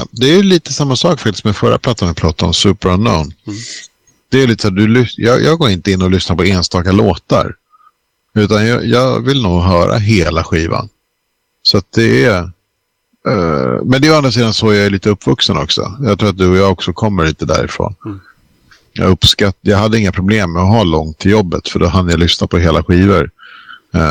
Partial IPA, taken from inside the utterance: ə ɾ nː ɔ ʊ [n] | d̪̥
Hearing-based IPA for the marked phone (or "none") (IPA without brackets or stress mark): n